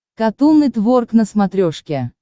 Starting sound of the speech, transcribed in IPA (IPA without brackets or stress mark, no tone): k